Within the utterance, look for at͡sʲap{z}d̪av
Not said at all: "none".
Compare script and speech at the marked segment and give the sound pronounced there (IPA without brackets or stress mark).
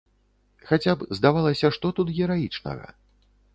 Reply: z